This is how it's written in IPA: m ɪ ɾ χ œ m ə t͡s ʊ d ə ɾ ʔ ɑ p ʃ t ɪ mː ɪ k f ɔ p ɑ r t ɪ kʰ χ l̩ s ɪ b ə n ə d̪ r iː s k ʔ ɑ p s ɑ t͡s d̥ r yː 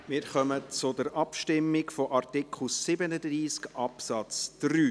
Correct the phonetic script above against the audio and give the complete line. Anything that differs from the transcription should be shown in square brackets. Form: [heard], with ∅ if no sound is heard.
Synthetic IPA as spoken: m ɪ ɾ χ œ m ə t͡s ʊ d ə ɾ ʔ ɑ p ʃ t ɪ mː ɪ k f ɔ [ʔ] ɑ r t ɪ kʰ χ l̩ s ɪ b ə n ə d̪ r iː s k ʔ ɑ p s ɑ t͡s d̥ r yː